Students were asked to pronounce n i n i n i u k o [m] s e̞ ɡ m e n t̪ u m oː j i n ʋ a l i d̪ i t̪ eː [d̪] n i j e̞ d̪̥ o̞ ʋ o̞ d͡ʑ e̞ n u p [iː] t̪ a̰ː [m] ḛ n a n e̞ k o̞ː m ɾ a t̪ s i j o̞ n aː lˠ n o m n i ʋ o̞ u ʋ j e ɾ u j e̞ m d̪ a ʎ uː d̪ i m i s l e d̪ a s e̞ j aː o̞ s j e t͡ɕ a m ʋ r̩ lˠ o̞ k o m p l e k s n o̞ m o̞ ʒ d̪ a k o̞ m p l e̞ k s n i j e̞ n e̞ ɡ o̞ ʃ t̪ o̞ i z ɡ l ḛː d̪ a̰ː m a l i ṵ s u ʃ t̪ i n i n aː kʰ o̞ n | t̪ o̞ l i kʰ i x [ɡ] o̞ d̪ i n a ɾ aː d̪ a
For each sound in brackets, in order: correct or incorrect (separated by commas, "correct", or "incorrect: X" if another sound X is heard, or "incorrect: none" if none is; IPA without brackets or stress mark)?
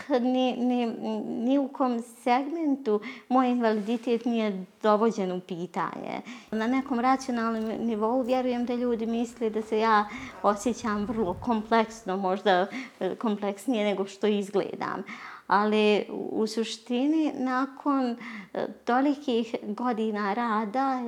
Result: correct, incorrect: t̪, correct, incorrect: ɲ, correct